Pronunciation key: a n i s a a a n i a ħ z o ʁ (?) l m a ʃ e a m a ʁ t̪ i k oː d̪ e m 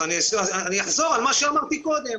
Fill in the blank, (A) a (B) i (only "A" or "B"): A